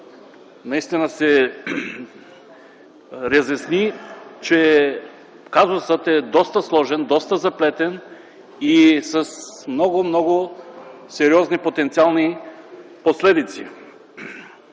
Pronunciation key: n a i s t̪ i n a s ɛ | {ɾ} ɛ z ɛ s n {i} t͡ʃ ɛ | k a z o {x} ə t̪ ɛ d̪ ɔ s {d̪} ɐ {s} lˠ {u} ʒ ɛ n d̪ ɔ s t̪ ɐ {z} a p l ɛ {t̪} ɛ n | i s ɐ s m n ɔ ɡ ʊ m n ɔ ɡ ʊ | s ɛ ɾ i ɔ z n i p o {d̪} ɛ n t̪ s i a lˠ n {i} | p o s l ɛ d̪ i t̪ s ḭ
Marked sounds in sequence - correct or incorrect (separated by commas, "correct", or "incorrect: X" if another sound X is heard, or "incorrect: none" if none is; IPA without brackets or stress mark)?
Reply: correct, correct, incorrect: s, incorrect: t̪, correct, incorrect: ɔ, correct, correct, incorrect: t̪, correct